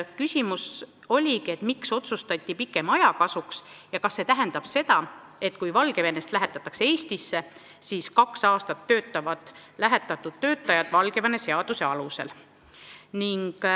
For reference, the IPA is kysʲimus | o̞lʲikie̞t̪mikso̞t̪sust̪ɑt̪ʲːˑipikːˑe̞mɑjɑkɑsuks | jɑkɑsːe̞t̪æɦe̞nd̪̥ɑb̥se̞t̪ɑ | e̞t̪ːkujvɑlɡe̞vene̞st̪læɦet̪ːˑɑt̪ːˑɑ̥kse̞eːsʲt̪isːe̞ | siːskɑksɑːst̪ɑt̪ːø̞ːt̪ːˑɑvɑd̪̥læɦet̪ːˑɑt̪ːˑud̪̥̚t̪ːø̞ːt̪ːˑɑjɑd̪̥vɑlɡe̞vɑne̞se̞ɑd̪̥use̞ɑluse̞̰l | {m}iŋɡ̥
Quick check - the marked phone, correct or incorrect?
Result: incorrect